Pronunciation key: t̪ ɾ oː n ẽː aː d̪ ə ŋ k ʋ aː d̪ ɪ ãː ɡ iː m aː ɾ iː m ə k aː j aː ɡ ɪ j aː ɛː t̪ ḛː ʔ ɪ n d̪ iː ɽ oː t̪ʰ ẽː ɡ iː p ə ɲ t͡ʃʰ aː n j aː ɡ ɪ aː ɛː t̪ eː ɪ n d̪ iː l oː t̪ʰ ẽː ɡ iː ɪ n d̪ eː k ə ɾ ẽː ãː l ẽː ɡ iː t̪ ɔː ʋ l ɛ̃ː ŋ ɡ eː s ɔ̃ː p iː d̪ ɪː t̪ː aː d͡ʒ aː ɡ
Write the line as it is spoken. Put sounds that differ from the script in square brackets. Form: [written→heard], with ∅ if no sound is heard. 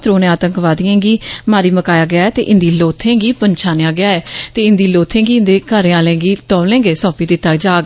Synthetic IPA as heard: t̪ ɾ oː n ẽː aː [d̪→t̪] ə ŋ k ʋ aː d̪ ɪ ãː ɡ iː m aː ɾ iː m ə k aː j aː ɡ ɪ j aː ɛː t̪ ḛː ʔ ɪ n d̪ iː [ɽ→l] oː t̪ʰ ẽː ɡ iː p ə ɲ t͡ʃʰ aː n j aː ɡ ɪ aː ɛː t̪ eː ɪ n d̪ iː l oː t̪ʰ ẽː ɡ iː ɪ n d̪ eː k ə ɾ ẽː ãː l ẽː ɡ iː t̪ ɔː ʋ l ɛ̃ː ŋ ɡ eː s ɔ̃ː p iː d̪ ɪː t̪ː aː d͡ʒ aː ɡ